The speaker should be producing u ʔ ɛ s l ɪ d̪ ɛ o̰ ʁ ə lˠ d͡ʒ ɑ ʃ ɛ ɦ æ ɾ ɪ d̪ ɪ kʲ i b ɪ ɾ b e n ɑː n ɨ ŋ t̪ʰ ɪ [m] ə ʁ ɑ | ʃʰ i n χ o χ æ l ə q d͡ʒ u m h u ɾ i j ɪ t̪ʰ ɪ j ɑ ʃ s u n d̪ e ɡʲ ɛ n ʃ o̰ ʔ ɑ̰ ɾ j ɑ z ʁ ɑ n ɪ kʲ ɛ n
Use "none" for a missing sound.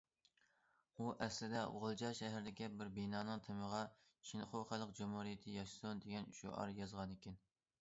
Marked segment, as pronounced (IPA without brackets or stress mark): m